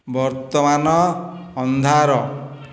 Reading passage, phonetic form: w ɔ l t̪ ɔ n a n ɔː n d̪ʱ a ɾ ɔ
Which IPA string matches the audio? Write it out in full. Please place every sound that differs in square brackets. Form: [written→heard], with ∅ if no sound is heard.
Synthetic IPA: [w→b] ɔ [l→ɾ] t̪ ɔ [n→m] a n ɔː n d̪ʱ a ɾ ɔ